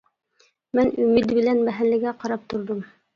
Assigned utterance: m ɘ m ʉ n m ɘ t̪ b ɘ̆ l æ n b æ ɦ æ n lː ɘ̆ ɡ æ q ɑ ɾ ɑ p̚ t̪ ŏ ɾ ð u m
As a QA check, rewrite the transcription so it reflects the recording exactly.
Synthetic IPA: m ɘ n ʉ m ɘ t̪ b ɘ̆ l æ n b æ ɦ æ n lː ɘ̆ ɡ æ q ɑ ɾ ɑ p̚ t̪ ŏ ɾ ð o m